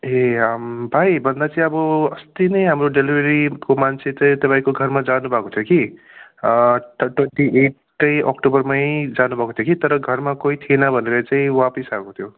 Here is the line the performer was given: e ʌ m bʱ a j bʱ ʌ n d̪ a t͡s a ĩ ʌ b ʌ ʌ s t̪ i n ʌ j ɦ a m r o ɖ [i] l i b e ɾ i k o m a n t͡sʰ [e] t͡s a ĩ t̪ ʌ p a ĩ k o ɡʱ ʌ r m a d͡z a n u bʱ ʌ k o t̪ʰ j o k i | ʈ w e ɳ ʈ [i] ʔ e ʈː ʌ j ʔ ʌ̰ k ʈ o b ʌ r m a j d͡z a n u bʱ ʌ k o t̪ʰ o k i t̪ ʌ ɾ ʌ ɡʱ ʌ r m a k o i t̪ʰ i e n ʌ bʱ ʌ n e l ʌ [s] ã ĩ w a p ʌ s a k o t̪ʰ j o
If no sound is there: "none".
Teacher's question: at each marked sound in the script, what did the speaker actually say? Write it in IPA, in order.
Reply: e, e, i, t͡s

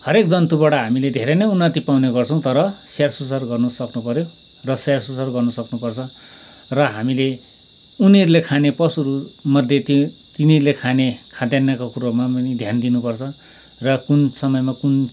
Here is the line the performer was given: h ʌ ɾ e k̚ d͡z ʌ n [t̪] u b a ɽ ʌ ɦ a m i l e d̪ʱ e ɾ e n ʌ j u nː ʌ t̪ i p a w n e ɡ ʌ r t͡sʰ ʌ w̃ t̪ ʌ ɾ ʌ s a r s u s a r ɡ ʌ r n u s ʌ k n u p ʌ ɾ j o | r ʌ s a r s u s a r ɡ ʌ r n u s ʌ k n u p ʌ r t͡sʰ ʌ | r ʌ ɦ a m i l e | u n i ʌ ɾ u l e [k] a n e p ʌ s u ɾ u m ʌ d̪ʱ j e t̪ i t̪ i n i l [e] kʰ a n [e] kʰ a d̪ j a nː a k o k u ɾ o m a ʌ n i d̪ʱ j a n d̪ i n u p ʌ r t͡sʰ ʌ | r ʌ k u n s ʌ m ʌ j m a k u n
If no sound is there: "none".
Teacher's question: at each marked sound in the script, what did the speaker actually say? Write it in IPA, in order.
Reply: t̪, kʰ, e, e

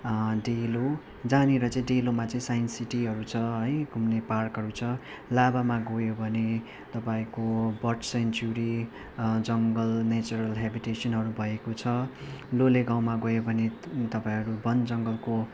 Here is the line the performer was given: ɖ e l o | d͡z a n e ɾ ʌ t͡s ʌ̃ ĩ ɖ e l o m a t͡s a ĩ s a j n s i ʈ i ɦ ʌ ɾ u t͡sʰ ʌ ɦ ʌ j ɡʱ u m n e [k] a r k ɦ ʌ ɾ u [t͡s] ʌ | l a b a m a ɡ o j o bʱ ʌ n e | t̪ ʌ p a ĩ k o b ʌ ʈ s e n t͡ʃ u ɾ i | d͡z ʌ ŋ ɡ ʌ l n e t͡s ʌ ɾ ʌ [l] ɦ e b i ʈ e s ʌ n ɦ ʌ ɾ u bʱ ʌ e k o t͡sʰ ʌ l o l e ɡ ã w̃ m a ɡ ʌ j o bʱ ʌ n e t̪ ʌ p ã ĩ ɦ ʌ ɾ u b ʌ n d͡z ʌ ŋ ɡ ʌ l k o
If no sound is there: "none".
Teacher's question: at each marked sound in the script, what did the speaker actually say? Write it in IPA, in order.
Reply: p, t͡sʰ, l

